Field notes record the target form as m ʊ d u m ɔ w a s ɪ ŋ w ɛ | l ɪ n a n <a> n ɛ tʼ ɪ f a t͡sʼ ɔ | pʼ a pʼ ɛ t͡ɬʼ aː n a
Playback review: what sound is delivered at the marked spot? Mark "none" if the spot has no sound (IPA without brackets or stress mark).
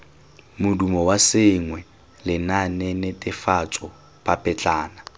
ɛ